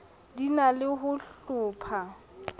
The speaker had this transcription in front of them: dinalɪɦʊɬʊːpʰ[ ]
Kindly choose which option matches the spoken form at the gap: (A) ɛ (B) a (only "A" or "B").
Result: B